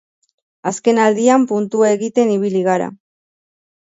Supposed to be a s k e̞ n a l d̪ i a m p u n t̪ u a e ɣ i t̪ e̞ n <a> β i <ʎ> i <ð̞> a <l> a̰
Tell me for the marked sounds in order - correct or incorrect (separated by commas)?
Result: incorrect, incorrect, incorrect, incorrect